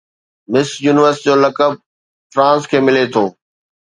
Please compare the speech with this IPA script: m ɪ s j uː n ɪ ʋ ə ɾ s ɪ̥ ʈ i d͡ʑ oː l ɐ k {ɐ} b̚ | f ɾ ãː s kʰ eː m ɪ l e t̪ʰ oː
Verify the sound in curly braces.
incorrect: ə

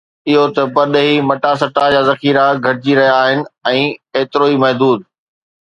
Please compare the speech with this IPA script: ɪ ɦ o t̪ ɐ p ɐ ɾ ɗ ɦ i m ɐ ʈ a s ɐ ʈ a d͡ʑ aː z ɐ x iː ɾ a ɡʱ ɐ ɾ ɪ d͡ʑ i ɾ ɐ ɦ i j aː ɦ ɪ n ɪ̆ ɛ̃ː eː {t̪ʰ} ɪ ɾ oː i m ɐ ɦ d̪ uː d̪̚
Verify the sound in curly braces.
incorrect: t̪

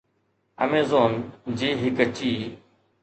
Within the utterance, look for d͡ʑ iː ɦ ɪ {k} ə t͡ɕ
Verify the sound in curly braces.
correct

